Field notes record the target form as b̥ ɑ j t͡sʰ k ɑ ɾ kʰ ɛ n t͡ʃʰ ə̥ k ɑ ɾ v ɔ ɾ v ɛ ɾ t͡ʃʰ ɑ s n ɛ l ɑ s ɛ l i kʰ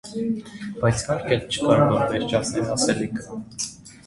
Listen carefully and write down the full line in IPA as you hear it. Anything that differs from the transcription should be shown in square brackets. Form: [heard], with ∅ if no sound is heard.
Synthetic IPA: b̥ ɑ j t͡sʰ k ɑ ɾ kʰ ɛ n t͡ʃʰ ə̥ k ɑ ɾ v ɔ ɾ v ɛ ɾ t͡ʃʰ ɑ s n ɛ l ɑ s ɛ l i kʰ